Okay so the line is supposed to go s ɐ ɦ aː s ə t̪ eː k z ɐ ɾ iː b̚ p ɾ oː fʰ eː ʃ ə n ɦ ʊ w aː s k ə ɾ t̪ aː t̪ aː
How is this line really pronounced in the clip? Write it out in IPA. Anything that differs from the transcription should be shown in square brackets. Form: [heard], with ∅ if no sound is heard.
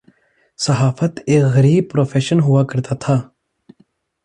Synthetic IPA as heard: s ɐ ɦ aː [f] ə t̪ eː k [ɣ] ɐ ɾ iː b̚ p ɾ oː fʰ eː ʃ ə n ɦ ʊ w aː [∅] k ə ɾ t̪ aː [t̪ʰ] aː